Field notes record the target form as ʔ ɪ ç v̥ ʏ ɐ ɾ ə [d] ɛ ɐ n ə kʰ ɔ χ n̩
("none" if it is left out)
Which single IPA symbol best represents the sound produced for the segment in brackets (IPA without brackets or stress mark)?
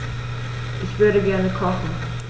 ɡ